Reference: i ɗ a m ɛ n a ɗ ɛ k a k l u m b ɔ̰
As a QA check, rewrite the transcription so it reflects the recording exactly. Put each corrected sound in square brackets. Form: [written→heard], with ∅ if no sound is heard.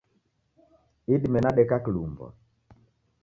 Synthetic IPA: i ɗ [a→i] m ɛ n a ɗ ɛ k a k l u m b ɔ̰